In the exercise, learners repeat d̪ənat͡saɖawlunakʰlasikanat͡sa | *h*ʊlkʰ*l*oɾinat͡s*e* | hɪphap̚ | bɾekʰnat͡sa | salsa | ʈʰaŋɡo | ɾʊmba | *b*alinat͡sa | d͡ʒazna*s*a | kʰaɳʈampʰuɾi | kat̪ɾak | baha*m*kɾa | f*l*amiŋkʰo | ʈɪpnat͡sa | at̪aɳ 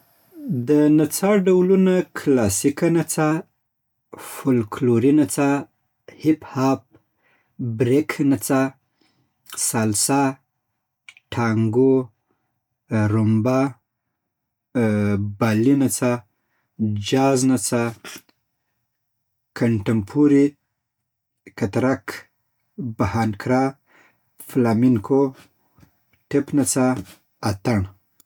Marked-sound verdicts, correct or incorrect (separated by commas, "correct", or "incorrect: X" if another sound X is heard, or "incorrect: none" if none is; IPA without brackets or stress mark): incorrect: f, correct, incorrect: a, correct, incorrect: t͡s, incorrect: n, correct